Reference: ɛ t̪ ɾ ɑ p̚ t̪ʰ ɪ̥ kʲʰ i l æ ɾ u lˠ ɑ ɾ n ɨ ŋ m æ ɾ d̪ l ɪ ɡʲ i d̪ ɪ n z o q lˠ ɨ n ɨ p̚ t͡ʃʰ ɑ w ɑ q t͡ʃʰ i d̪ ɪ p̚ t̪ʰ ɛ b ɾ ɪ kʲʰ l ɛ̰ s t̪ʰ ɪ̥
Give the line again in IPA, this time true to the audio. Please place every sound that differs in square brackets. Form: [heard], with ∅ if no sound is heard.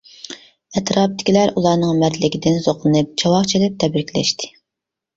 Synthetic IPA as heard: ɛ t̪ ɾ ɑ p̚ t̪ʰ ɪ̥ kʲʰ i l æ ɾ u lˠ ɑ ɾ n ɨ ŋ m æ ɾ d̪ l ɪ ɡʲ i d̪ ɪ n z o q lˠ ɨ n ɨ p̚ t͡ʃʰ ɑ w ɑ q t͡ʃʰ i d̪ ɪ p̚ t̪ʰ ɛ b ɾ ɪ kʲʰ l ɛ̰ [ʃ] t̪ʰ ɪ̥

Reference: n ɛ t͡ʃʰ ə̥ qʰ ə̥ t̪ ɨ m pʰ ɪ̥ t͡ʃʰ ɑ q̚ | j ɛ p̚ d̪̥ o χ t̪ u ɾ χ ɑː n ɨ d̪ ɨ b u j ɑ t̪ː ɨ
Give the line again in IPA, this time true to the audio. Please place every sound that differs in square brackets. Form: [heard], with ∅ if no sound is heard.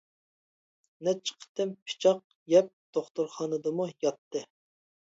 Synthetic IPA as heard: n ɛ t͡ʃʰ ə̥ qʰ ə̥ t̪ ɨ m pʰ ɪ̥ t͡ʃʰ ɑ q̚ | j ɛ p̚ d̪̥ o χ t̪ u ɾ χ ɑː n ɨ d̪ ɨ [m] u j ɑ t̪ː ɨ

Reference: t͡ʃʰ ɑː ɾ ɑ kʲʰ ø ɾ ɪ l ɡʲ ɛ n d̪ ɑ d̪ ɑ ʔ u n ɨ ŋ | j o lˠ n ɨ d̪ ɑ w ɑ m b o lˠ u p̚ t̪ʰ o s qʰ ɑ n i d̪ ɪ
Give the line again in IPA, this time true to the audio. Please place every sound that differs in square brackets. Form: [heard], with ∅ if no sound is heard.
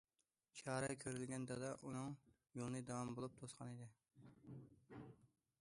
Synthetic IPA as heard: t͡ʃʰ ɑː ɾ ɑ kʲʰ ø ɾ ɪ l ɡʲ ɛ n d̪ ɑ d̪ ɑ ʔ u n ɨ ŋ | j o lˠ n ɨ d̪ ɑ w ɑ m b o lˠ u p̚ t̪ʰ o s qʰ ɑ n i d̪ ɪ

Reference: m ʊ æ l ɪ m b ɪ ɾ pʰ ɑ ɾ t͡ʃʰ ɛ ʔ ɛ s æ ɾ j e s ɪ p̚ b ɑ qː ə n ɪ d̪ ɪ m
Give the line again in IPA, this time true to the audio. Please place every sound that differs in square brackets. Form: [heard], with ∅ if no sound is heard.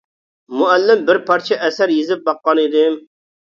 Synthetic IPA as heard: m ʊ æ [lː] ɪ m b ɪ ɾ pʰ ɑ ɾ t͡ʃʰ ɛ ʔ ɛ s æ ɾ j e [z] ɪ p̚ b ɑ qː [ɑ] n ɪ d̪ ɪ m

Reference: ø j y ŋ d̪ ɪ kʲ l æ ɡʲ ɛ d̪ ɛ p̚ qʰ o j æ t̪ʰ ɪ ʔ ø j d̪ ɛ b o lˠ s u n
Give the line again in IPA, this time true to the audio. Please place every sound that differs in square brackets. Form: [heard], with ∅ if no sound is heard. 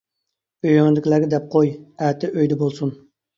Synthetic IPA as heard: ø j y ŋ d̪ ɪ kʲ l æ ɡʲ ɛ d̪ ɛ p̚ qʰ o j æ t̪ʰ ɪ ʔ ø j d̪ ɛ b o lˠ s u n

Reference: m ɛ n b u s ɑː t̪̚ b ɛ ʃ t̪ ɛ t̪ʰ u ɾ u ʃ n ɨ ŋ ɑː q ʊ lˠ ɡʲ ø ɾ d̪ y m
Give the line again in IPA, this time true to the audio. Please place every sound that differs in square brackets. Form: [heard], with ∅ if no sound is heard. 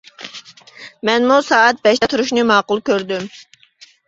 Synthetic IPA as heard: m ɛ n [m] u s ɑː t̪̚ b ɛ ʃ t̪ ɛ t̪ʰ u ɾ u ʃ n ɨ [m] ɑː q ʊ lˠ [kʲ] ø ɾ d̪ y m

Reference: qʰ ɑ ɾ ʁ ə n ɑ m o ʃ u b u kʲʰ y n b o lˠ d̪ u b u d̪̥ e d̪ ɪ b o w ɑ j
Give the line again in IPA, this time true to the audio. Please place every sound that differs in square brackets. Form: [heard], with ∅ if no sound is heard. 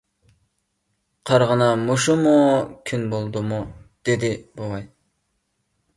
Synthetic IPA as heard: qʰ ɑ ɾ ʁ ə n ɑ m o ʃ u [m] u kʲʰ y n b o lˠ d̪ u [m] u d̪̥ e d̪ ɪ b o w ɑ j

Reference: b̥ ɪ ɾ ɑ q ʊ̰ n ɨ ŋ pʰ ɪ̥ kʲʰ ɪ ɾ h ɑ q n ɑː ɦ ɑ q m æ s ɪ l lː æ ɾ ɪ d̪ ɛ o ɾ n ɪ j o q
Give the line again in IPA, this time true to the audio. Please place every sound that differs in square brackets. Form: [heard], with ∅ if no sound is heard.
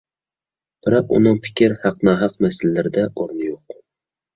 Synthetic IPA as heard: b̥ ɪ ɾ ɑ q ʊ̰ n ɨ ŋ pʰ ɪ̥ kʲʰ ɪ ɾ h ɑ q n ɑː ɦ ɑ q m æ s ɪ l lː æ ɾ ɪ d̪ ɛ o ɾ n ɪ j o q

